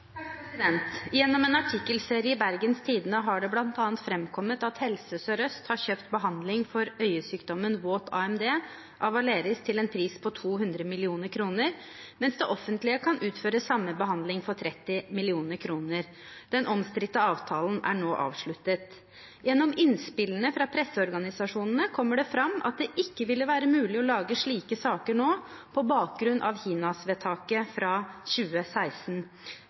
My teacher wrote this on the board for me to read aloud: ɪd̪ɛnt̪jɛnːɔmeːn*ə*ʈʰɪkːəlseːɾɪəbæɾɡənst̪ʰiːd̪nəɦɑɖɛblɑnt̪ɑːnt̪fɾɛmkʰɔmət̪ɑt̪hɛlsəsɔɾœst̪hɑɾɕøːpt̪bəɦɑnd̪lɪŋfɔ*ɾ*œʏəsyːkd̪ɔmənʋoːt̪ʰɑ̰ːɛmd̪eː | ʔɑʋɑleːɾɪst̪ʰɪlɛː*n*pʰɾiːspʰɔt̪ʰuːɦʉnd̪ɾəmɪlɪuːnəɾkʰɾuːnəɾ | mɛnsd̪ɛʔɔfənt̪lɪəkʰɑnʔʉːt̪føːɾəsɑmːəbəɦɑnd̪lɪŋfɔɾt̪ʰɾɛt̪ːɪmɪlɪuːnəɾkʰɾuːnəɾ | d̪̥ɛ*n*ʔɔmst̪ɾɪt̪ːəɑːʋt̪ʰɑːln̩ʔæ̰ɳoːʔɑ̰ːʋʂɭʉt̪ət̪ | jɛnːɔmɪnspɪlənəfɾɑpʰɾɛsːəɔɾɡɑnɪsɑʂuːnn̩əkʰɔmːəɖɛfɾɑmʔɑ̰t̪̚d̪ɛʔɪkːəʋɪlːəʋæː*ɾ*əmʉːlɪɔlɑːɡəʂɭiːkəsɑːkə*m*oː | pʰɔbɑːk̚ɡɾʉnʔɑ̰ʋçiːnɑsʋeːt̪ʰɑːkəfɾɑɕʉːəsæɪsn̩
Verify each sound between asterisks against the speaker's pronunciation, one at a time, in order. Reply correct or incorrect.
incorrect: ɑ, correct, correct, correct, correct, incorrect: ɳ

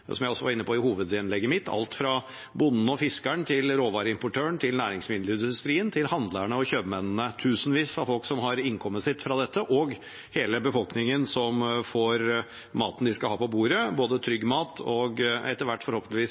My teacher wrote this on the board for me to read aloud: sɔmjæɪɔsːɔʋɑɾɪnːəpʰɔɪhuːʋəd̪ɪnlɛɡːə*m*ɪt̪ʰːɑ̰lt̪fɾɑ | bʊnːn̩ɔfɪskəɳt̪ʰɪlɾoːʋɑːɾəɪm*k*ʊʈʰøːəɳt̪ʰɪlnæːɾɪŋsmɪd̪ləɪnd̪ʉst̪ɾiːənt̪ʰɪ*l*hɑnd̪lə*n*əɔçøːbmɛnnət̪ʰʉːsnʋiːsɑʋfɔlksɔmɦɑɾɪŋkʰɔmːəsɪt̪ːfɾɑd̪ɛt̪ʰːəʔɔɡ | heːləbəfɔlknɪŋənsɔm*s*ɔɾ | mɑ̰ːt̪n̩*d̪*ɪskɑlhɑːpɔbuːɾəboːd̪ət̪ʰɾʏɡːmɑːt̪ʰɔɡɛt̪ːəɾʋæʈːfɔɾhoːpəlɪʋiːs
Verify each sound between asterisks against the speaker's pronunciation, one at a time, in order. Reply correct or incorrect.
correct, incorrect: p, correct, incorrect: ɳ, incorrect: f, correct

